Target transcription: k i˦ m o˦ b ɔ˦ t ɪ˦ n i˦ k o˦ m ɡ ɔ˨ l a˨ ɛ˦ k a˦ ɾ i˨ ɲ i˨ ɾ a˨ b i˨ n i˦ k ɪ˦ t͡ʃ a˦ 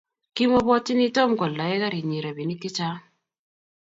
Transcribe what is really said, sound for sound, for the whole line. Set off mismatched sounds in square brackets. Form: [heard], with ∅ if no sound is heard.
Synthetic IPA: k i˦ m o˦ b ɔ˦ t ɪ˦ n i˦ [t] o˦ m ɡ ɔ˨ l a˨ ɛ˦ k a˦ ɾ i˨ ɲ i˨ ɾ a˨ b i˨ n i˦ k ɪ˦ t͡ʃ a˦